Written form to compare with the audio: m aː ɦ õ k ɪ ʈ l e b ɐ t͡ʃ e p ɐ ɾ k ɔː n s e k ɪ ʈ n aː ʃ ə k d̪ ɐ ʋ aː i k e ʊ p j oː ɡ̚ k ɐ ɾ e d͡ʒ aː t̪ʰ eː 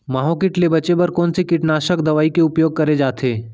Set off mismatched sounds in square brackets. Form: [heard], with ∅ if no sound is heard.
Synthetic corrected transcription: m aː ɦ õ k ɪ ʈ l e b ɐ t͡ʃ e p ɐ ɾ k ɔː n s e k ɪ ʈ n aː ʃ ə k d̪ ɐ ʋ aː i k e ʊ p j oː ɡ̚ k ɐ ɾ e d͡ʒ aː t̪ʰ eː

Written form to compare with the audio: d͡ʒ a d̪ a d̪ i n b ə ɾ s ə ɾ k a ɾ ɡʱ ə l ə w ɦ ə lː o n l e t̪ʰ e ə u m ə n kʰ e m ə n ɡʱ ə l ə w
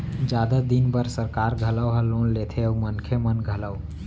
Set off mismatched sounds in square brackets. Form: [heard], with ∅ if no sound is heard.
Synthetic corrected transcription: d͡ʒ a d̪ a d̪ i n b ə ɾ s ə ɾ k a ɾ ɡʱ ə l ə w ɦ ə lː o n l e t̪ʰ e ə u m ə n kʰ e m ə n ɡʱ ə l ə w

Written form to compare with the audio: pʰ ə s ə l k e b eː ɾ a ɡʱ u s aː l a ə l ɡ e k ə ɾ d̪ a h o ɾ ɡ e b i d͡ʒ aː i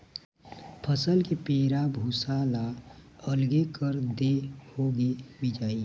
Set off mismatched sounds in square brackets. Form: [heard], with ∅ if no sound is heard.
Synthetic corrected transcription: pʰ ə s ə l k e [p] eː ɾ a [bʱ] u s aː l a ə l ɡ e k ə ɾ d̪ [e] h o [∅] ɡ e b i d͡ʒ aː i

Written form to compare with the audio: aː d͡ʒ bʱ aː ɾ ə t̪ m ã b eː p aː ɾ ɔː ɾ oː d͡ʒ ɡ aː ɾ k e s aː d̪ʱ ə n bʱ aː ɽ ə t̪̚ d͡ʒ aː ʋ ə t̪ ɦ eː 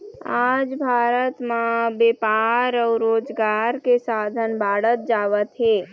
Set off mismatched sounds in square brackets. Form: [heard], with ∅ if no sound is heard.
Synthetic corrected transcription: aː d͡ʒ bʱ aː ɾ ə t̪ m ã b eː p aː ɾ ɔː ɾ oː d͡ʒ ɡ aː ɾ k e s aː d̪ʱ ə n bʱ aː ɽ ə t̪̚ d͡ʒ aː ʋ ə t̪ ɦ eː

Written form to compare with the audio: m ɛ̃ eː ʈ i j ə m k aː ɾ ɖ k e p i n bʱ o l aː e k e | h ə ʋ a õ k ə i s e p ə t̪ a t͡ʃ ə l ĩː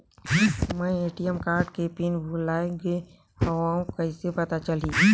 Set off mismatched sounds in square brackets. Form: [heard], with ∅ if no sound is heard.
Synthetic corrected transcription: m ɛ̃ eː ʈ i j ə m k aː ɾ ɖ k e p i n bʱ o l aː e [ɡ] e | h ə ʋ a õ k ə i s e p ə t̪ a t͡ʃ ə l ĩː

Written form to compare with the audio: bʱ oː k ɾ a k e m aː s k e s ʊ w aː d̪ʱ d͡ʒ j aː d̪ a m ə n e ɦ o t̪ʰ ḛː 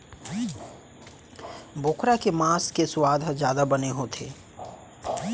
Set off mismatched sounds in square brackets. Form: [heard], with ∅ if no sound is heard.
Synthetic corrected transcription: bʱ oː k ɾ a k e m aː s k e s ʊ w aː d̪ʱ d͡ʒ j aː d̪ a [b] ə n e ɦ o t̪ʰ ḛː

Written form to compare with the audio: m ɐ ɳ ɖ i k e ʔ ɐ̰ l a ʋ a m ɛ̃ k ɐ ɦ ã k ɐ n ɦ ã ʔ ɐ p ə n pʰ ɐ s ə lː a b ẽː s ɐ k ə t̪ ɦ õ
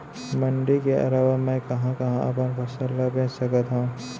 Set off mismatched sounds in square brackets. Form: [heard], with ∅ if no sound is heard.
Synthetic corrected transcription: m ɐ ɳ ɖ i k e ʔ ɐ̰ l a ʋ a m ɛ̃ k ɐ ɦ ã k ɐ [∅] ɦ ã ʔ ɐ p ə n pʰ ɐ s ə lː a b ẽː s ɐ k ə t̪ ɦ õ

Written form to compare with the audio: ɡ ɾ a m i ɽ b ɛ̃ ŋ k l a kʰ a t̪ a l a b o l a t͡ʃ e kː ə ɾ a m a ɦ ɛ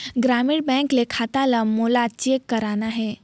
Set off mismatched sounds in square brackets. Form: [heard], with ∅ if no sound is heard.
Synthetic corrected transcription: ɡ ɾ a m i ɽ b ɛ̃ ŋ k l [e] kʰ a t̪ a l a [m] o l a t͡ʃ e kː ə ɾ a [n] a ɦ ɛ

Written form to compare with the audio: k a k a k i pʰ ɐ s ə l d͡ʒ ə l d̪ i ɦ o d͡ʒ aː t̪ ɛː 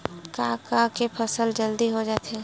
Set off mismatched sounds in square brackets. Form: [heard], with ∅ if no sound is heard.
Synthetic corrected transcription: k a k a k [e] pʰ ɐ s ə l d͡ʒ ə l d̪ i ɦ o d͡ʒ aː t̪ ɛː

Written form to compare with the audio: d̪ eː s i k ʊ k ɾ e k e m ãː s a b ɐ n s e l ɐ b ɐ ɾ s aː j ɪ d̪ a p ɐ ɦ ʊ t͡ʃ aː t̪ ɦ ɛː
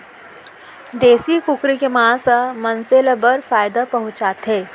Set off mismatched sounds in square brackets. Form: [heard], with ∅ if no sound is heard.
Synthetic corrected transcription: d̪ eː s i k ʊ k ɾ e k e m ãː s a [m] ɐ n s e l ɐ b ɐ ɾ [f] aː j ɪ d̪ a p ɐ ɦ ʊ t͡ʃ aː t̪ ɦ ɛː

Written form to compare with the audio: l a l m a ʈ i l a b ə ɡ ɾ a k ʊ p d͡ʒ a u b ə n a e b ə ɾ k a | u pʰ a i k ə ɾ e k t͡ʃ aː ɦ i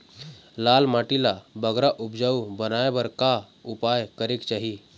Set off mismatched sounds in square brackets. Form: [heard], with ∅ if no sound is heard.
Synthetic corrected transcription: l a l m a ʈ i l a b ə ɡ ɾ a [ʔ] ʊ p d͡ʒ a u b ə n a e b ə ɾ k a | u [p] a [j] k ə ɾ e k t͡ʃ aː ɦ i

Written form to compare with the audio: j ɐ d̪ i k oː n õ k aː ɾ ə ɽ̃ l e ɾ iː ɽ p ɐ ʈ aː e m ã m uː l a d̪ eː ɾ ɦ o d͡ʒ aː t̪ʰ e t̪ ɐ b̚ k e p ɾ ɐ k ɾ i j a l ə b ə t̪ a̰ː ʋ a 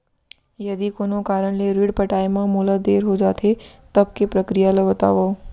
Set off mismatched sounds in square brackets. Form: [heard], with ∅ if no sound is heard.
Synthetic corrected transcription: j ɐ d̪ i k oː n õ k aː ɾ ə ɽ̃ l e ɾ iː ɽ p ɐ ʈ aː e m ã m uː l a d̪ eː ɾ ɦ o d͡ʒ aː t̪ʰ e t̪ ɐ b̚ k e p ɾ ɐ k ɾ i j a l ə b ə t̪ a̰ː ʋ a

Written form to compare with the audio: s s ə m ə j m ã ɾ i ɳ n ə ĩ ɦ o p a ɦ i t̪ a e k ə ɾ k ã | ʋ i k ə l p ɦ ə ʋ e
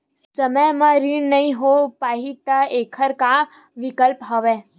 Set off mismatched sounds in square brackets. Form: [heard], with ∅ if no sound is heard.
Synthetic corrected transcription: s s ə m ə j m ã ɾ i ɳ n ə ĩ ɦ o p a ɦ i t̪ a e [kʰ] ə ɾ k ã | ʋ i k ə l p ɦ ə ʋ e

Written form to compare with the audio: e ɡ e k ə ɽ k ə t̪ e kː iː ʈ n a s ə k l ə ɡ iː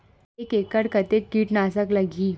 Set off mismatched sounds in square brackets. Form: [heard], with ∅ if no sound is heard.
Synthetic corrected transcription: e [k] e k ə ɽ k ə t̪ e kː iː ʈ n a s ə k l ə ɡ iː

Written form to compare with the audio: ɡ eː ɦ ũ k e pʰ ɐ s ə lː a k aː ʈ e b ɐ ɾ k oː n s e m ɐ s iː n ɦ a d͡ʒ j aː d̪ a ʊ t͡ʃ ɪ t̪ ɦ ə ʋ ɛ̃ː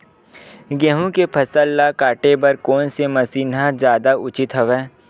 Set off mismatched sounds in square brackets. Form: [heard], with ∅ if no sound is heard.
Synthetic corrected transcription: ɡ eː ɦ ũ k e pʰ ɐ s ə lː a k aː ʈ e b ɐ ɾ k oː n s e m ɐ s iː n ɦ a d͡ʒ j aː d̪ a ʊ t͡ʃ ɪ t̪ ɦ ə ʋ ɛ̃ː

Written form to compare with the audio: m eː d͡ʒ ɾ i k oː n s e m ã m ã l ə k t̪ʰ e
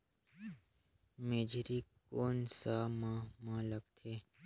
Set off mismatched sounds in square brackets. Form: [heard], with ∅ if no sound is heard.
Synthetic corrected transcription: m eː d͡ʒ ɾ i k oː n s [a] m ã m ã l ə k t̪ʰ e

